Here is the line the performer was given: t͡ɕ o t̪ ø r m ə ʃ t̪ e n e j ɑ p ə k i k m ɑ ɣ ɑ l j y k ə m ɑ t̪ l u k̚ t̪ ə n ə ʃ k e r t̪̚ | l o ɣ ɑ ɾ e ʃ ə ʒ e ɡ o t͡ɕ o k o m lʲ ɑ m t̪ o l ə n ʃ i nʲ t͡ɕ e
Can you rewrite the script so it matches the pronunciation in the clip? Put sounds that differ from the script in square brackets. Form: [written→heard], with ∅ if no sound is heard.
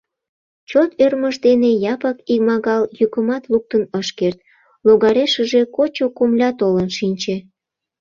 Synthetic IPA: t͡ɕ o t̪ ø r m ə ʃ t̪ e n e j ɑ p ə k i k m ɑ ɣ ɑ l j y k ə m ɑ t̪ l u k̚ t̪ ə n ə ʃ k e r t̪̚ | l o ɣ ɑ ɾ e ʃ ə ʒ e [ɡ→k] o t͡ɕ o k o m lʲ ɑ [m→∅] t̪ o l ə n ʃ i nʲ t͡ɕ e